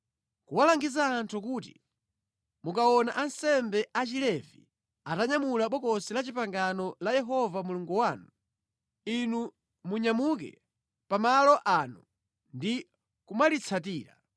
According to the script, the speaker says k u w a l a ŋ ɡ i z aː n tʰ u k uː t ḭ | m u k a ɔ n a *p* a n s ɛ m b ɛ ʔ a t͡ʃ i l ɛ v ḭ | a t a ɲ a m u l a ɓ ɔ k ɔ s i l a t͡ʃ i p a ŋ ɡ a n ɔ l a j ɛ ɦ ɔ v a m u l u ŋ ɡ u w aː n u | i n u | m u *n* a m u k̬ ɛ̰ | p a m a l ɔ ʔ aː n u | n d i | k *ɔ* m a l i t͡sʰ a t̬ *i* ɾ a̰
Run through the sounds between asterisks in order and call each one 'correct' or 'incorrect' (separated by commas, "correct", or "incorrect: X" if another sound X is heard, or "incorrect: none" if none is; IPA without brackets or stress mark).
incorrect: ʔ, incorrect: ɲ, incorrect: u, incorrect: iː